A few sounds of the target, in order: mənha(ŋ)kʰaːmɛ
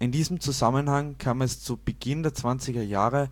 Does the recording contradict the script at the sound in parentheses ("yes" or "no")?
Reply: no